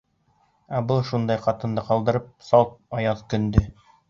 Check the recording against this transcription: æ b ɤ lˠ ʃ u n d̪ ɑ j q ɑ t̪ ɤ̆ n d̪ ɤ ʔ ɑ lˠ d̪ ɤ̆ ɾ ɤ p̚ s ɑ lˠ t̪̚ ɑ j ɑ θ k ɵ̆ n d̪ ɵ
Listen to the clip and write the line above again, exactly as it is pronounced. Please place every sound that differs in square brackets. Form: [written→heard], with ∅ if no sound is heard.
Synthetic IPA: æ b ɤ lˠ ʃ u n d̪ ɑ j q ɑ t̪ ɤ̆ n d̪ ɤ [ʔ→q] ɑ lˠ d̪ ɤ̆ ɾ ɤ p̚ s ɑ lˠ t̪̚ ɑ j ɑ [θ→ð] k ɵ̆ n d̪ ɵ